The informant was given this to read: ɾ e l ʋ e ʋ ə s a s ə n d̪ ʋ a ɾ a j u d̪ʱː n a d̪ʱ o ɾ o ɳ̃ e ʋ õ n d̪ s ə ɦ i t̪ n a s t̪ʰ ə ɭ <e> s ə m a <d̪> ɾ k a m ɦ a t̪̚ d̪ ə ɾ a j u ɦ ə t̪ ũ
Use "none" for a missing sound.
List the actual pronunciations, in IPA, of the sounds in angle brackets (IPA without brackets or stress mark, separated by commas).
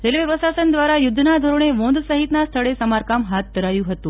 e, none